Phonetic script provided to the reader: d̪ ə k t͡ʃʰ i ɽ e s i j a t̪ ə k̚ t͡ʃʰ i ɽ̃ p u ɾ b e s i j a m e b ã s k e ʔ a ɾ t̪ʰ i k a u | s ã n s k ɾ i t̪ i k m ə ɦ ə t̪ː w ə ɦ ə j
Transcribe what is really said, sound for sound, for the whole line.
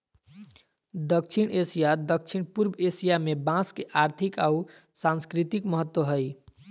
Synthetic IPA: d̪ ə k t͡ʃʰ i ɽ e s i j a d̪ ə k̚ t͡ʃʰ i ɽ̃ p u ɾ b e s i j a m e b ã s k e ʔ a ɾ t̪ʰ i k a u | s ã n s k ɾ i t̪ i k m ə ɦ ə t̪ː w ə ɦ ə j